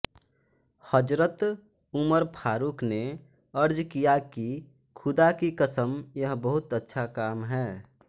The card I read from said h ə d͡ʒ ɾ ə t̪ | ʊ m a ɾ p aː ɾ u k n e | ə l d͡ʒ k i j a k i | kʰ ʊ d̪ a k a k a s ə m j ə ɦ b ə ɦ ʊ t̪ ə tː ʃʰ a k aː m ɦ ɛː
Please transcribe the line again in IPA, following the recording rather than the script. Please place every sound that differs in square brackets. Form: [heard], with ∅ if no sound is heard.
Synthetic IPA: h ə d͡ʒ ɾ ə t̪ | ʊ m [ə] ɾ [pʰ] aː ɾ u k n e | ə [ɾ] d͡ʒ k i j a k i | kʰ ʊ d̪ a k [i] k [ə] s ə m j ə ɦ b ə ɦ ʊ t̪ ə tː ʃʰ a k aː m ɦ ɛː